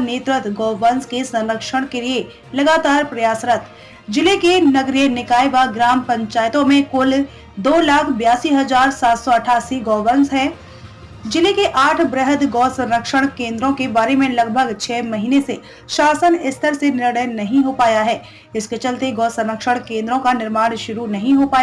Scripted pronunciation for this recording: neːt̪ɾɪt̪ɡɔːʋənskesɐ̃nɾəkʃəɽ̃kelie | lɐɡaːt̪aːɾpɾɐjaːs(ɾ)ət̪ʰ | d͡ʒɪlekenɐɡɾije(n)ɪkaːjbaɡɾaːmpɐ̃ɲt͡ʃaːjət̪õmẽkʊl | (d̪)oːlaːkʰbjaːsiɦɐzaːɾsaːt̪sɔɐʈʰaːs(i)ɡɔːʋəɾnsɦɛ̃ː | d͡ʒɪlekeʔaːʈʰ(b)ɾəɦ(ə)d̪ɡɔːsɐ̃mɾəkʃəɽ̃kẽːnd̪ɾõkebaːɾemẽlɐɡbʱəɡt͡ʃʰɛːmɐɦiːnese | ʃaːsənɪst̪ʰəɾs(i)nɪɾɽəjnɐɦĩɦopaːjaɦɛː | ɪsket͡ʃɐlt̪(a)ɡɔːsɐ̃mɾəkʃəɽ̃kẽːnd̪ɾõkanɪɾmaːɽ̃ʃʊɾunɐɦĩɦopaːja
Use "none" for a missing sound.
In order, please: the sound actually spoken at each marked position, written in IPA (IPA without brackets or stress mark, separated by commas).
ɾ, n, d̪, i, b, ə, e, e